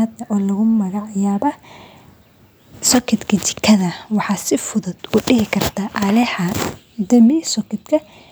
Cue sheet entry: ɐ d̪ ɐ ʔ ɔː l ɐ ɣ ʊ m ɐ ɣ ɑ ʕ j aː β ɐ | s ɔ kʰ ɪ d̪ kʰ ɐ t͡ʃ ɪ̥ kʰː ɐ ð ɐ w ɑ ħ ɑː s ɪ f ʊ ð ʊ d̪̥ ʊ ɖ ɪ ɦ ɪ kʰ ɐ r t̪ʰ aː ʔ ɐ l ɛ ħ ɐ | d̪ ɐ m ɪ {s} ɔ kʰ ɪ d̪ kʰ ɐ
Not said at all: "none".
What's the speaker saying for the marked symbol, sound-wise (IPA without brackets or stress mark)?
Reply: s